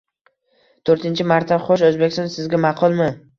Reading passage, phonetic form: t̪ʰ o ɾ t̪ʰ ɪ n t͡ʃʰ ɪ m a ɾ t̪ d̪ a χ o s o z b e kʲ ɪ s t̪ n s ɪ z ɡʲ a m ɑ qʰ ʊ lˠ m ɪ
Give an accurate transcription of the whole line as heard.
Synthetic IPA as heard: t̪ʰ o ɾ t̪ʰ ɪ n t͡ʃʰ ɪ m a ɾ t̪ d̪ a χ o ʃ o z b e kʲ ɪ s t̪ n s ɪ z ɡʲ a m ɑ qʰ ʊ lˠ m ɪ